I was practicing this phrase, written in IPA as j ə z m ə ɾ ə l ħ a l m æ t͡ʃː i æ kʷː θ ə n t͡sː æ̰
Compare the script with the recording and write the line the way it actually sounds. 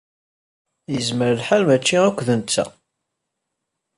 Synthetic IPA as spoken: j ə z m ə ɾ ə l ħ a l m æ t͡ʃː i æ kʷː ð ə n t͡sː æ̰